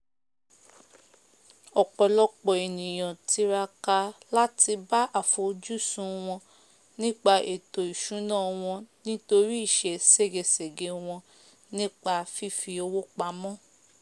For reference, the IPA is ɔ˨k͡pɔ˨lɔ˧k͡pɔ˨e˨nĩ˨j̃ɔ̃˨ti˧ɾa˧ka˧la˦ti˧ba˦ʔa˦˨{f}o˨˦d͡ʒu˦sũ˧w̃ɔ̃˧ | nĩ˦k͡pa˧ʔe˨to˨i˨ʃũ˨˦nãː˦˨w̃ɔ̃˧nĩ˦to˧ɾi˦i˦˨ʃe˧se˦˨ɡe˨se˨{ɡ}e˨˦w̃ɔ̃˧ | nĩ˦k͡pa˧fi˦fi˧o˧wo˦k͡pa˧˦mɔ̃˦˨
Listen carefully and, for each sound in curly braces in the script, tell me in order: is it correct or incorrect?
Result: correct, correct

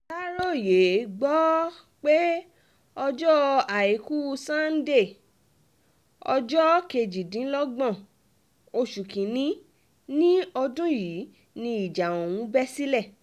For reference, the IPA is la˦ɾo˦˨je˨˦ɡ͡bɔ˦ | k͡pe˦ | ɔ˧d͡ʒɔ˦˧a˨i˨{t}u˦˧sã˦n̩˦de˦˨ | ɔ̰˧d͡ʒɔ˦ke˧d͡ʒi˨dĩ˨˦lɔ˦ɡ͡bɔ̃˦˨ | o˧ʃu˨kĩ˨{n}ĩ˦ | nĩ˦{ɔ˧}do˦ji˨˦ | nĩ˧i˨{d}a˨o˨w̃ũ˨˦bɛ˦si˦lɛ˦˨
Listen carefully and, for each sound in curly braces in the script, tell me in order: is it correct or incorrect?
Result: incorrect: k, correct, correct, incorrect: d͡ʒ

